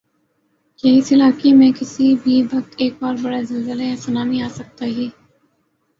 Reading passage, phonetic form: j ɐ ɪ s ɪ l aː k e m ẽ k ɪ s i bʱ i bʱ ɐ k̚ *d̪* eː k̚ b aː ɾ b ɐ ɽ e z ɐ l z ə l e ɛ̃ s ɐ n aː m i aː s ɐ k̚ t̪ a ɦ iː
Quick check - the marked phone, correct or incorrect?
incorrect